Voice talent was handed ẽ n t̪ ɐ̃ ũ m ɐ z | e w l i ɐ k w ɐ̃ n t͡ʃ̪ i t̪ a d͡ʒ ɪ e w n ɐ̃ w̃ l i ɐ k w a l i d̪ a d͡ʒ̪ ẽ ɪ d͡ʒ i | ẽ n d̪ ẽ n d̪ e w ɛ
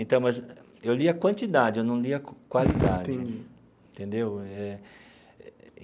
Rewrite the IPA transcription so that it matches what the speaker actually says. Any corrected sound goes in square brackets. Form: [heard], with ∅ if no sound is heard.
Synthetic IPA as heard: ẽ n t̪ ɐ̃ [w̃] m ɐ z | e w l i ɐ k w ɐ̃ n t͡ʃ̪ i [d̪] a d͡ʒ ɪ e w n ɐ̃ w̃ l i ɐ k w a l i d̪ a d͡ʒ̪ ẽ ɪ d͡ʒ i | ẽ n [t̪] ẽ n d̪ e w ɛ